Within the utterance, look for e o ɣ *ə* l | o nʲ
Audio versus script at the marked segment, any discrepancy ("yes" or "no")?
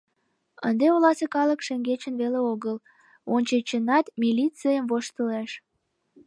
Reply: no